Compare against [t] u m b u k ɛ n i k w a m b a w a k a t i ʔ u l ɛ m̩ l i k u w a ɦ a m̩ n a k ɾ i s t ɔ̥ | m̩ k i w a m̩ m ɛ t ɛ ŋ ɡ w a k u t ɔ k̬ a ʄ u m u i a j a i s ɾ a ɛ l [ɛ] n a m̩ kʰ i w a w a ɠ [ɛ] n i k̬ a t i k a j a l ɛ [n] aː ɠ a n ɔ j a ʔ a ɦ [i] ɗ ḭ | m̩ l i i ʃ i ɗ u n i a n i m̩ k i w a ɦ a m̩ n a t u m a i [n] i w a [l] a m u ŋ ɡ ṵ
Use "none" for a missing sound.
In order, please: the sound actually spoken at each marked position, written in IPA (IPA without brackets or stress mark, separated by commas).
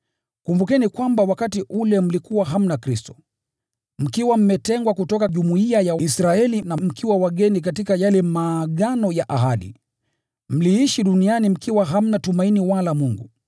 k, i, ɛ, m, a, n, l